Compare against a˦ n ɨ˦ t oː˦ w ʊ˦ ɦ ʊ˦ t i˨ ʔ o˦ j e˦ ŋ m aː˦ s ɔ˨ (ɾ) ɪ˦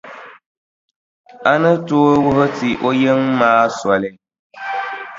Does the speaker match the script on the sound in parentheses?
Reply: no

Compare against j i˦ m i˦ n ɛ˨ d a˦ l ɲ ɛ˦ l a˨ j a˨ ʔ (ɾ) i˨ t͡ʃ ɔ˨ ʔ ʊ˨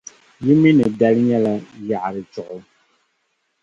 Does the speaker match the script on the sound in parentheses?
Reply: yes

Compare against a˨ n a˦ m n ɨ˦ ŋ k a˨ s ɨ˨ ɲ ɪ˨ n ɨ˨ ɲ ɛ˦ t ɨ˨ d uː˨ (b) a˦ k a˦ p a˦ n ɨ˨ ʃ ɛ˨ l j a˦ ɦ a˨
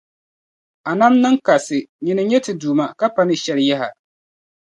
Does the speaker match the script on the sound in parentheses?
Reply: no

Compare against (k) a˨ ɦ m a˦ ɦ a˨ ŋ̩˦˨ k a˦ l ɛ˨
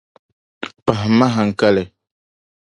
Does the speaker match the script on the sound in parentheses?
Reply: no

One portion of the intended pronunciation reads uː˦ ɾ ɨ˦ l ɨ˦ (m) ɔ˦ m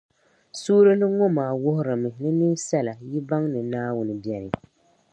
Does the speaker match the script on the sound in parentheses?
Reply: no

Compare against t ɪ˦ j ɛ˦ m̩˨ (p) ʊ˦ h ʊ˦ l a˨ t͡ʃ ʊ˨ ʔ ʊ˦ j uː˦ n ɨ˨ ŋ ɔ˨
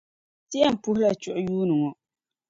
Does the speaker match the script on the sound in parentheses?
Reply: yes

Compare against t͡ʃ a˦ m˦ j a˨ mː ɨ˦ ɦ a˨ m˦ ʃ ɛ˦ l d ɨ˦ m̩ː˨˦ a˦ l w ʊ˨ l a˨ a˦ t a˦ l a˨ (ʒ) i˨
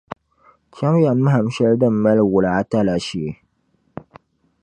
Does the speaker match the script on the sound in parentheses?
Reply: no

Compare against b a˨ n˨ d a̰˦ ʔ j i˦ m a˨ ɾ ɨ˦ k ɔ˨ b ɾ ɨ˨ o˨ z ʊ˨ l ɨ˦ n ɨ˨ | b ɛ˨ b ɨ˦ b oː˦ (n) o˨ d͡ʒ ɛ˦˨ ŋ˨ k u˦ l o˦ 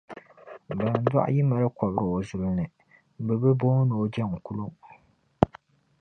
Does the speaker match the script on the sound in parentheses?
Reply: yes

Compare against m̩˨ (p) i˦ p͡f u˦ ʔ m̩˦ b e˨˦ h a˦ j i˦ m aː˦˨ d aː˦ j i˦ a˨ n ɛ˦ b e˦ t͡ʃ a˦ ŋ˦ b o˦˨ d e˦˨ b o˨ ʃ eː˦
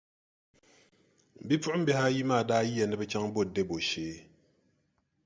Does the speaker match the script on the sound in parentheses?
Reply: no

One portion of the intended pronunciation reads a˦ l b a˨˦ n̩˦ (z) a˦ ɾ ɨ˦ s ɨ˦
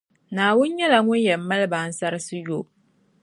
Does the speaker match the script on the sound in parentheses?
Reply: no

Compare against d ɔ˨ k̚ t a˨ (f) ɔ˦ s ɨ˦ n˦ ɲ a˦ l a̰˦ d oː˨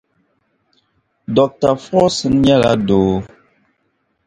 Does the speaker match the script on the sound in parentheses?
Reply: yes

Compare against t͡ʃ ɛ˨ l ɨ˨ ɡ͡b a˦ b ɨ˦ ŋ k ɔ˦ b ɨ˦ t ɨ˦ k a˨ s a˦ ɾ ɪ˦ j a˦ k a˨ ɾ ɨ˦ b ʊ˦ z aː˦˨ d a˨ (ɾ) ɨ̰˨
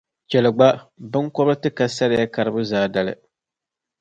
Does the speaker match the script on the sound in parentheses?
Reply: no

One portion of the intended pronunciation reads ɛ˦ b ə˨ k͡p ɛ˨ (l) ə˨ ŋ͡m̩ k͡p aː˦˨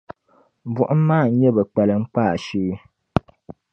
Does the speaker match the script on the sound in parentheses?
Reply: yes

